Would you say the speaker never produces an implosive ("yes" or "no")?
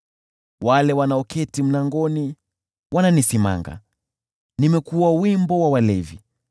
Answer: yes